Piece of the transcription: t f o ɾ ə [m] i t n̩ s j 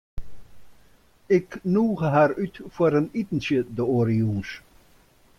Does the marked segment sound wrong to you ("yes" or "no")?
yes